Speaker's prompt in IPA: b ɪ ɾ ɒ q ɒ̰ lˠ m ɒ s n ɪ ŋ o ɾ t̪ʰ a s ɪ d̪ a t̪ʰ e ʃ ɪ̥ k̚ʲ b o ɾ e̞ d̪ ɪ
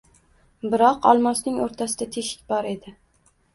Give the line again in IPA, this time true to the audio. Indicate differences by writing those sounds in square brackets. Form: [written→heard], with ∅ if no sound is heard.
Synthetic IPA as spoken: b ɪ ɾ ɒ q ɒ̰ lˠ m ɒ s n ɪ ŋ o ɾ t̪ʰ a s ɪ d̪ a t̪ʰ e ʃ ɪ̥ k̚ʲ b [o→ɒ] ɾ e̞ d̪ ɪ